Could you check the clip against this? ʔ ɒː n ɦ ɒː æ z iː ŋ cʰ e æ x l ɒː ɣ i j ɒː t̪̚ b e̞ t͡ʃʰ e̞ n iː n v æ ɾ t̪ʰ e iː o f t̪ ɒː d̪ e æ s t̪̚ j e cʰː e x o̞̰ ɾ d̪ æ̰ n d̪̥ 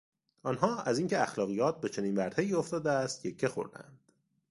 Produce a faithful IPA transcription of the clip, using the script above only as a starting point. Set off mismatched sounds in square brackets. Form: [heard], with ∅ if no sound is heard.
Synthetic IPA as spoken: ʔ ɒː n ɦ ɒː æ z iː ŋ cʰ e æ x l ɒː ɣ i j ɒː t̪̚ b e̞ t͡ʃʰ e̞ n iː n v æ ɾ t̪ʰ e iː o f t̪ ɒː d̪ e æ s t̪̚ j e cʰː e x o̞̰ ɾ d̪ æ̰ n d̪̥